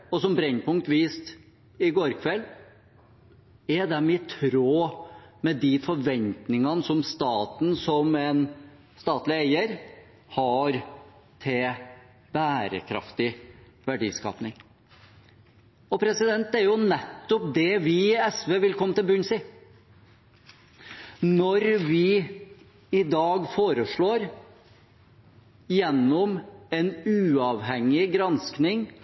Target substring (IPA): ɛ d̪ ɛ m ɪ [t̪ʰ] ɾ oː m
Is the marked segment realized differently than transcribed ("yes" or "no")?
no